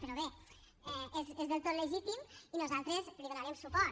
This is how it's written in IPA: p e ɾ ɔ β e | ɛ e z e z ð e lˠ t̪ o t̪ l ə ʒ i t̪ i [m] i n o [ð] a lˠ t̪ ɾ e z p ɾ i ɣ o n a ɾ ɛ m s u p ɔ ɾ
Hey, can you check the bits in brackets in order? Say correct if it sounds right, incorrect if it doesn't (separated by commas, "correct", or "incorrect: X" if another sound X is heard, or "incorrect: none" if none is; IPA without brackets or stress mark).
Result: correct, incorrect: z